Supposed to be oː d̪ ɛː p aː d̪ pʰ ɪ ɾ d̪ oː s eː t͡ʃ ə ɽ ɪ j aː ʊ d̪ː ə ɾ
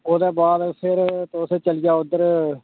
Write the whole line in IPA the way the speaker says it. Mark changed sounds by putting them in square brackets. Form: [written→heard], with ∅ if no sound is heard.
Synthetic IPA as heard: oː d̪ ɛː [p→b] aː d̪ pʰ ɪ ɾ [d̪→t̪] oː s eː t͡ʃ ə [ɽ→l] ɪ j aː ʊ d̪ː ə ɾ